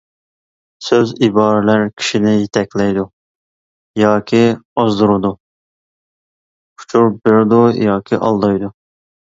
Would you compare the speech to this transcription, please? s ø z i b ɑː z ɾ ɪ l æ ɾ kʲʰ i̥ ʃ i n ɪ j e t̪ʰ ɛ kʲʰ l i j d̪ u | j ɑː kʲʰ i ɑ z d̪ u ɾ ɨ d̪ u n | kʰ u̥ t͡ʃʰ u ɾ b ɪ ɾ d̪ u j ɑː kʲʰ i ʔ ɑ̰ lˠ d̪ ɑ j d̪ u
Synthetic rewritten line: s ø z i b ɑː ɾ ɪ l æ ɾ kʲʰ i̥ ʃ i n ɪ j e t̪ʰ ɛ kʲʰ l ɛ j d̪ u | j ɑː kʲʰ i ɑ z d̪ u ɾ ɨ d̪ u | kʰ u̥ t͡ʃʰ u ɾ b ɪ ɾ d̪ u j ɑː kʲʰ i ʔ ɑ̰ lˠ d̪ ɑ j d̪ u